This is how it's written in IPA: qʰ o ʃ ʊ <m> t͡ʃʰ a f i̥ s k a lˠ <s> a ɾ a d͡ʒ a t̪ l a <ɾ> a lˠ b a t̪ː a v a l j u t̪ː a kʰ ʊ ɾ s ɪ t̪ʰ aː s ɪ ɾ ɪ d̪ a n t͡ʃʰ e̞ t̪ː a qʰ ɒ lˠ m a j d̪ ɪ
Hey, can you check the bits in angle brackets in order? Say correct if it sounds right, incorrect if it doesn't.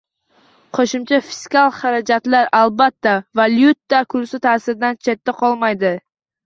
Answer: correct, incorrect: χ, correct

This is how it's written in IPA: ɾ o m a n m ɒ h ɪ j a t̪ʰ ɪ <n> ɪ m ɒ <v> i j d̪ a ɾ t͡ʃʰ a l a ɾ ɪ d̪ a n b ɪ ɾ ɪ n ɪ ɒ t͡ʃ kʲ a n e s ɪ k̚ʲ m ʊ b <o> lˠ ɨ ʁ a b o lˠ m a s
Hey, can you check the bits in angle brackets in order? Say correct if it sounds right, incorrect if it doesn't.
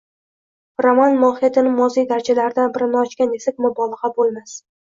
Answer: correct, incorrect: z, incorrect: ɒ

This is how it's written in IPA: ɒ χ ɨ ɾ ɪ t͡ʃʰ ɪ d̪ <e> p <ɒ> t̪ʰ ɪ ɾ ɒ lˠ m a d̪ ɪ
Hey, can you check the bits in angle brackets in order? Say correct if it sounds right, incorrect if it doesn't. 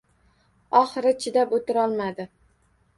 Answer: incorrect: a, incorrect: o

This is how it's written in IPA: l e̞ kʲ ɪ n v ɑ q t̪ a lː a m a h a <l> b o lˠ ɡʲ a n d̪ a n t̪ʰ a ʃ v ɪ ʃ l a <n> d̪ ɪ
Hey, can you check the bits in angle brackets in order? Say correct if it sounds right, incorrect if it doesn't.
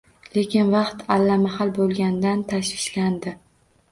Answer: correct, correct

